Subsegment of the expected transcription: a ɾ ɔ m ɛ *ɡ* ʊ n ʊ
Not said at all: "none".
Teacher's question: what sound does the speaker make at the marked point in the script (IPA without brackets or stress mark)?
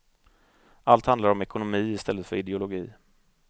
k